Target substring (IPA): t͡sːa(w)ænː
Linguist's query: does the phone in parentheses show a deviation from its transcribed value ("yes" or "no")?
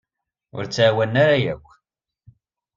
no